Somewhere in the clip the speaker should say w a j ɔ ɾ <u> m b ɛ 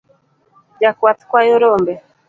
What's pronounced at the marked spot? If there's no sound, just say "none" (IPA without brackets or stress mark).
ɔ